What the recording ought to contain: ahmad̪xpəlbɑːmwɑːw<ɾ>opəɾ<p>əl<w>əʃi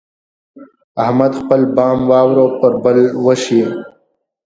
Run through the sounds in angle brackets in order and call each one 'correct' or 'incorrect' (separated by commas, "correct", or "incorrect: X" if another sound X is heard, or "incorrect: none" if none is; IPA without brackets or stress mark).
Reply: correct, incorrect: b, correct